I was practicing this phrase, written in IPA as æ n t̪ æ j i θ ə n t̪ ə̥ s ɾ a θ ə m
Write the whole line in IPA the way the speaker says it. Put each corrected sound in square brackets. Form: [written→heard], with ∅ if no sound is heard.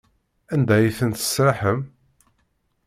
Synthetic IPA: æ n [t̪→d̪] æ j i θ ə n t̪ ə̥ s ɾ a [θ→ħ] ə m